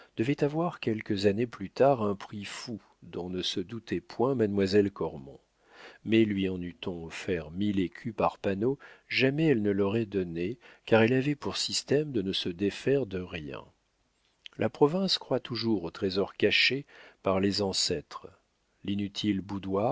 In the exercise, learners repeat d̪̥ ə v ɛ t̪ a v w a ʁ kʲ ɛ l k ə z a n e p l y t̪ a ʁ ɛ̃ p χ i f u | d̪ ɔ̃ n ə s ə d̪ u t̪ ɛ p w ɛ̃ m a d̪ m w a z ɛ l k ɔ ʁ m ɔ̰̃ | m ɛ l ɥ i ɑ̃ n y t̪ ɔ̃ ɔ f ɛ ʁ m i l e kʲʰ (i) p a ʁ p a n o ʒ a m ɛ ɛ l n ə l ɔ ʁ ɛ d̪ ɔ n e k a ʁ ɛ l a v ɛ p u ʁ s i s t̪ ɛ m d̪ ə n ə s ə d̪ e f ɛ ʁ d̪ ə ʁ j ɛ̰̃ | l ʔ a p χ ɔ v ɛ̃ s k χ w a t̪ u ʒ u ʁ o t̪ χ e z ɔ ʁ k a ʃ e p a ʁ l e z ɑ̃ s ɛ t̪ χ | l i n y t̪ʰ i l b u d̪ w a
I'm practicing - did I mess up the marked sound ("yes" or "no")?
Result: yes